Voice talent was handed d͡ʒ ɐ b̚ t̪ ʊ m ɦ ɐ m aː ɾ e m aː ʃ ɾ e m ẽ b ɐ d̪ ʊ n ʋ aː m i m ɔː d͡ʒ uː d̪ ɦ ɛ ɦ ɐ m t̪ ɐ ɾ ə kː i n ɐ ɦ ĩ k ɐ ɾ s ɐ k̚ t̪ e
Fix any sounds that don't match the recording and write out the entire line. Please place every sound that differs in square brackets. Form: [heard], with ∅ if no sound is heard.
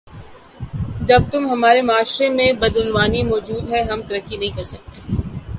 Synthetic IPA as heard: d͡ʒ ɐ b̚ t̪ ʊ m ɦ ɐ m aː ɾ e m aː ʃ ɾ e m ẽ b ɐ d̪ ʊ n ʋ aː [n] i m ɔː d͡ʒ uː d̪ ɦ ɛ ɦ ɐ m t̪ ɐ ɾ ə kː i n ɐ ɦ ĩ k ɐ ɾ s ɐ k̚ t̪ e